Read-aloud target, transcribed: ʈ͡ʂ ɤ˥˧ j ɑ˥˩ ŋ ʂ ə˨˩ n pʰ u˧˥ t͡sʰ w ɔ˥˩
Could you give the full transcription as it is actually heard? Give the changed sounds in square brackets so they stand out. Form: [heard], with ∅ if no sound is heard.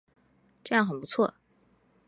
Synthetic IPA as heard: ʈ͡ʂ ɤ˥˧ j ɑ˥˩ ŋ [x] ə˨˩ n [p] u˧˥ t͡sʰ w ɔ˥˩

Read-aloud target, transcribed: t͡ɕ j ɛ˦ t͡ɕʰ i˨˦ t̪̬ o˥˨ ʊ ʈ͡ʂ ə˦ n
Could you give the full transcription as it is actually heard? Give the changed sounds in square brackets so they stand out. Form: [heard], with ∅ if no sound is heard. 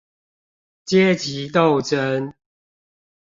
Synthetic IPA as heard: t͡ɕ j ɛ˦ [t͡ɕ] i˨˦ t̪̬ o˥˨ ʊ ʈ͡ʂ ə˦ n

